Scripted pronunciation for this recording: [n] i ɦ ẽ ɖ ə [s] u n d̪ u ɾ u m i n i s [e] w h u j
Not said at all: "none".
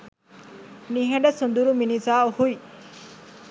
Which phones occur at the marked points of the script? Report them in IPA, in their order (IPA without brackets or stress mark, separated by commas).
n, s, a